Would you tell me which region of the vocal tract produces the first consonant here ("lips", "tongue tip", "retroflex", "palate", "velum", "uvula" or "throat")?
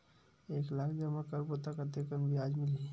velum